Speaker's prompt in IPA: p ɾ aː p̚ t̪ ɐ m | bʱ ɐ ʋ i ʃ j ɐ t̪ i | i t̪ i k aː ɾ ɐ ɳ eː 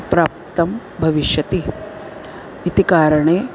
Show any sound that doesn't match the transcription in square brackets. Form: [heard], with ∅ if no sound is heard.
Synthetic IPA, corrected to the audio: p ɾ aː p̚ t̪ ɐ m | bʱ ɐ ʋ i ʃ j ɐ t̪ i | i t̪ i k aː ɾ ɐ ɳ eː

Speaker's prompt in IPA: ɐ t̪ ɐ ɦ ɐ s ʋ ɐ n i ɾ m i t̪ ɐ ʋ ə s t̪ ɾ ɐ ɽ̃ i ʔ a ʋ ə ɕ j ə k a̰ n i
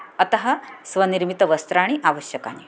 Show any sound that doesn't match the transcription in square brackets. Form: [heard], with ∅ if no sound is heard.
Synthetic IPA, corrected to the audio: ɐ t̪ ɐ ɦ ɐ s ʋ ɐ n i ɾ m i t̪ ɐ ʋ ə s t̪ ɾ [a] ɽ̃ i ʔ a ʋ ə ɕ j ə k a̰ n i

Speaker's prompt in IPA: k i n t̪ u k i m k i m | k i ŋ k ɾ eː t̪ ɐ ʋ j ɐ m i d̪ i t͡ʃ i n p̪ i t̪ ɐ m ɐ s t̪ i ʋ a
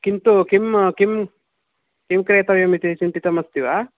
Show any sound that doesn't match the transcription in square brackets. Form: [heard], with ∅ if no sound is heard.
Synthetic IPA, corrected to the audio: k i n t̪ u k i m k i m | k i [m] k ɾ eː t̪ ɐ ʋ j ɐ m i [t̪] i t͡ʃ i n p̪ i t̪ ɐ m ɐ s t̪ i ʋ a

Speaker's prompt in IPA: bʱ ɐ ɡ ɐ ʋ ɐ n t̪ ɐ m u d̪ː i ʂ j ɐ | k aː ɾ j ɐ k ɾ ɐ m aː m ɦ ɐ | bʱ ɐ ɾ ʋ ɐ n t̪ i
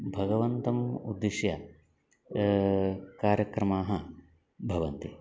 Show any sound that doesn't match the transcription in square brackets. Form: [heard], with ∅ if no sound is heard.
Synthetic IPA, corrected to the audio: bʱ ɐ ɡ ɐ ʋ ɐ n t̪ ɐ m u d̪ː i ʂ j ɐ | k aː ɾ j ɐ k ɾ ɐ m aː [∅] ɦ ɐ | bʱ ɐ [∅] ʋ ɐ n t̪ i

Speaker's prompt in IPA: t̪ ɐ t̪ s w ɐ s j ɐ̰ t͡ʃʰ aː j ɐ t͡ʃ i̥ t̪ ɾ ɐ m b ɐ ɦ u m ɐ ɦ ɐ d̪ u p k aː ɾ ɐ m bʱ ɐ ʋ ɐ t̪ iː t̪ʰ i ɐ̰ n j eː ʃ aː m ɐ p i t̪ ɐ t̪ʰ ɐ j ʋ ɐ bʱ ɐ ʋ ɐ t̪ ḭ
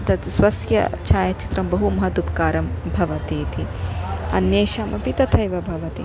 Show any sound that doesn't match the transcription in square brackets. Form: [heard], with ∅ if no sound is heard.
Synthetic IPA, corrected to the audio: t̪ ɐ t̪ s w ɐ s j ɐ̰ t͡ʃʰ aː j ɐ t͡ʃ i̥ t̪ ɾ ɐ m b ɐ ɦ u m ɐ ɦ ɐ d̪ u p k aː ɾ ɐ m bʱ ɐ ʋ ɐ t̪ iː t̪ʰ i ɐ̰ n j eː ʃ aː m ɐ p i t̪ ɐ t̪ʰ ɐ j ʋ ɐ bʱ ɐ ʋ ɐ t̪ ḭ

